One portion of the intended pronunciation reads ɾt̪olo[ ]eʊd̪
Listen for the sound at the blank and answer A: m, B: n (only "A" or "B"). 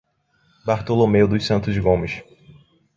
A